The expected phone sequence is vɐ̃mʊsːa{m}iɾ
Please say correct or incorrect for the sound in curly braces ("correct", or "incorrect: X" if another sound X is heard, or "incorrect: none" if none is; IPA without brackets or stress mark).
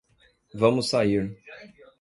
incorrect: none